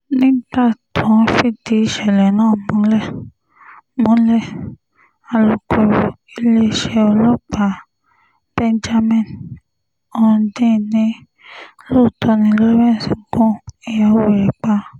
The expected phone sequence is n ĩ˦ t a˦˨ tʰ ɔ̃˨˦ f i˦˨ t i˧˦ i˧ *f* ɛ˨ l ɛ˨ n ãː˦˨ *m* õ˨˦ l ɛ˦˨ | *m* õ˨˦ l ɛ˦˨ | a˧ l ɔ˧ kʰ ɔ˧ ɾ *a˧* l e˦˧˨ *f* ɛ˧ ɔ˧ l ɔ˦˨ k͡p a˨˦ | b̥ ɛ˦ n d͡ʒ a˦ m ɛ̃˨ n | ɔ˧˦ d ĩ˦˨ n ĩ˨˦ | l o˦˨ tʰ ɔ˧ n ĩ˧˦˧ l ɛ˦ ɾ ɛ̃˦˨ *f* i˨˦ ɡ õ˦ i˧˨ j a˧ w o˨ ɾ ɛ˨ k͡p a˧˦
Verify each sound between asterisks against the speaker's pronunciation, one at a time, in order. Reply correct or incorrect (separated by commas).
incorrect, correct, correct, incorrect, incorrect, incorrect